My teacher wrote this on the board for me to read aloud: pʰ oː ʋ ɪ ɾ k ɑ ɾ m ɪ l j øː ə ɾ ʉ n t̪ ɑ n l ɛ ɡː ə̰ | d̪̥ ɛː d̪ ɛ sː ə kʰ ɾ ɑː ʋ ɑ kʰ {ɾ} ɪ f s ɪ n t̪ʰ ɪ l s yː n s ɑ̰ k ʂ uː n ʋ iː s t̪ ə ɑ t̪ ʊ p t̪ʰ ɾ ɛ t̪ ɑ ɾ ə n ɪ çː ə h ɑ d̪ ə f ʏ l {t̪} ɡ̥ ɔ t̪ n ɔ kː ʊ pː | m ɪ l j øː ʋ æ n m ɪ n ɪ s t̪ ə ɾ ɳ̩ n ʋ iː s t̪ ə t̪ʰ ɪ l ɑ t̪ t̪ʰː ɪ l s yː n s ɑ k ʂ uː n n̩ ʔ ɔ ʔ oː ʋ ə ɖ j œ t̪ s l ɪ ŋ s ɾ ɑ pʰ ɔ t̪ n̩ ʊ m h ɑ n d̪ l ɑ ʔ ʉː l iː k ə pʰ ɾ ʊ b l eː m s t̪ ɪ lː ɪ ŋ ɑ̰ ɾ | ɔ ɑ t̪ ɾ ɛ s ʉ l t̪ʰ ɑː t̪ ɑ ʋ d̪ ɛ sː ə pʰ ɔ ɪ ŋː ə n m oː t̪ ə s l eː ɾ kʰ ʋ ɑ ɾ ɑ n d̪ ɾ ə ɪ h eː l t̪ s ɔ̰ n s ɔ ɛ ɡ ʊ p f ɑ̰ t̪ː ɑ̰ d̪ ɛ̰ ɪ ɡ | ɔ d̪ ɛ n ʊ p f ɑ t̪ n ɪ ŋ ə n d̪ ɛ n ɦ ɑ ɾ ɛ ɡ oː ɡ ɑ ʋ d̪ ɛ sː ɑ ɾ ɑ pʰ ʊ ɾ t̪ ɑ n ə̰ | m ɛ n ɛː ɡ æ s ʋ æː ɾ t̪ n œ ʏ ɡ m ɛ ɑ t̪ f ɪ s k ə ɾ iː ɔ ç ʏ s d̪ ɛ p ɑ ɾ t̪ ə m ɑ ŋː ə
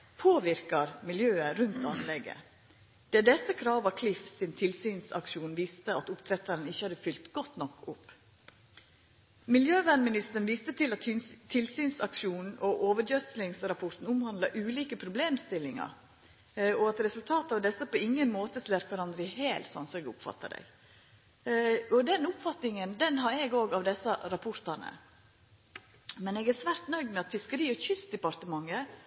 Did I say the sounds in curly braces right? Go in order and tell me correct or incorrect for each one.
incorrect: l, correct

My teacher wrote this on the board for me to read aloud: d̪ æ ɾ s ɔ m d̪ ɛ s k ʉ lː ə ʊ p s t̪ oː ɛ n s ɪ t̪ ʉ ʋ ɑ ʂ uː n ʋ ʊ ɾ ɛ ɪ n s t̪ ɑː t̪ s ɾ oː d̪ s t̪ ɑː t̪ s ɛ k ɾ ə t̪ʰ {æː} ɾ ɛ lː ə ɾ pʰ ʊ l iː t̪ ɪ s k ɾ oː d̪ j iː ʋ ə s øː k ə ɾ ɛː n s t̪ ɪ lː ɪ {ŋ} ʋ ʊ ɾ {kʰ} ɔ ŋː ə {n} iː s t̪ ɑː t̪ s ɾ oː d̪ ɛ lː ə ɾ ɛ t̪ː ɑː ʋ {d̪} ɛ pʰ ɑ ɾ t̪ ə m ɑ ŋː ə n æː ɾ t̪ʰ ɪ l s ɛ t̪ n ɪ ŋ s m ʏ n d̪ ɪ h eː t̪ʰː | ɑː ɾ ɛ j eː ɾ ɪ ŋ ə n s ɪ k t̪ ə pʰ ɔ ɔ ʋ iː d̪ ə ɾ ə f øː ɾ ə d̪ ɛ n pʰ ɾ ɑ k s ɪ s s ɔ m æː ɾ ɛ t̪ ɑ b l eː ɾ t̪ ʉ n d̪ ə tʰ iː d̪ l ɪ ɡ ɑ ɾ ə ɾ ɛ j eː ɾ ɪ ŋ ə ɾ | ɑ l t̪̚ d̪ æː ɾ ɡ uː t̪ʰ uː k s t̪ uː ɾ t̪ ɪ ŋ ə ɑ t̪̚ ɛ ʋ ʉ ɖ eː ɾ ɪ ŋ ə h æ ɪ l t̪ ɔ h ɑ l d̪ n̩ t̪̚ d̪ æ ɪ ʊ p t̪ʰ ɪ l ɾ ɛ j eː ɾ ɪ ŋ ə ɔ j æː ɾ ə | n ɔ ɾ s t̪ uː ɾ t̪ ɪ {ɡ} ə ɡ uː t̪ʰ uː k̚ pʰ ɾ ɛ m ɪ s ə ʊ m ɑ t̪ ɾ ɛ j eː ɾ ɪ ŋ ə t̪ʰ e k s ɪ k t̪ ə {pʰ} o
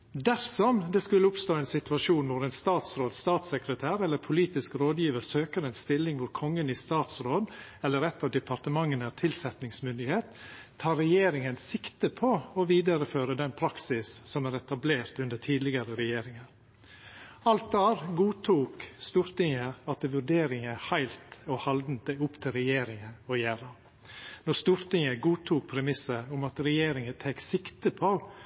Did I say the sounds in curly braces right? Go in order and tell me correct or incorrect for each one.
correct, correct, correct, correct, correct, incorrect: ŋ, correct

